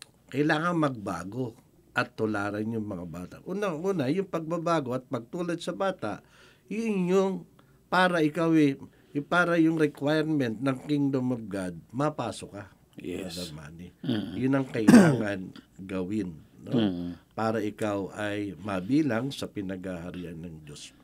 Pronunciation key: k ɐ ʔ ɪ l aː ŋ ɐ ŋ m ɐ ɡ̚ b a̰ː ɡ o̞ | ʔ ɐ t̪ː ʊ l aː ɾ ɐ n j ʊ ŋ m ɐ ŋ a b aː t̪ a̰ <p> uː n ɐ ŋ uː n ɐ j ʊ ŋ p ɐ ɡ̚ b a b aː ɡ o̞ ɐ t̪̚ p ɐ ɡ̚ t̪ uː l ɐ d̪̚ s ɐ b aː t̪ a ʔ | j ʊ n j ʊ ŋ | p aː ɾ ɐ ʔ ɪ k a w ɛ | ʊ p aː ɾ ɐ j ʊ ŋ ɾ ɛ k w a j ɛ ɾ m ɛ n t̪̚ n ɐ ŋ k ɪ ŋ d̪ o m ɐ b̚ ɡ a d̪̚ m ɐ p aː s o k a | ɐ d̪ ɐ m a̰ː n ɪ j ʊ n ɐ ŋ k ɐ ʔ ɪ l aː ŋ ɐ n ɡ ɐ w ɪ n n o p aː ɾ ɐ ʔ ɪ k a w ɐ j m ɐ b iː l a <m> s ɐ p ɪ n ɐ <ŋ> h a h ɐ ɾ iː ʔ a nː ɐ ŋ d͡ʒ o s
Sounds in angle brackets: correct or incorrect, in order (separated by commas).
incorrect, incorrect, incorrect